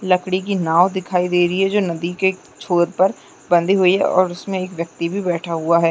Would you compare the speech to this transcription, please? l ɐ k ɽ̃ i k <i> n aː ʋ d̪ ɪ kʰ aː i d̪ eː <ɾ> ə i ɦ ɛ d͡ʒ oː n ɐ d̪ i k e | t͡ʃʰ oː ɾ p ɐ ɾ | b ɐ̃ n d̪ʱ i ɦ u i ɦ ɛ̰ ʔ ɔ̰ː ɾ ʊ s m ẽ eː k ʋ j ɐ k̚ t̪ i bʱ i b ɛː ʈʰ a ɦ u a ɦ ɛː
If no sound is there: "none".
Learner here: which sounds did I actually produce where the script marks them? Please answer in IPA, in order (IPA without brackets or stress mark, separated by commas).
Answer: i, ɾ